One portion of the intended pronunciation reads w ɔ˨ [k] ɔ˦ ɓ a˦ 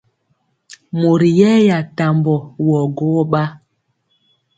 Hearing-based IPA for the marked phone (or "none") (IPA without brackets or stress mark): ɡ